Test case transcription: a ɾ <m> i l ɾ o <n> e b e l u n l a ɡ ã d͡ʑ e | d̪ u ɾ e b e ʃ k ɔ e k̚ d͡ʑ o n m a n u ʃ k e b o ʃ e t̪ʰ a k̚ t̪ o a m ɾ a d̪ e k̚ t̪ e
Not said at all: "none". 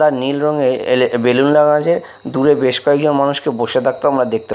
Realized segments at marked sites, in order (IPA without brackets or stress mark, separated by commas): n, ŋ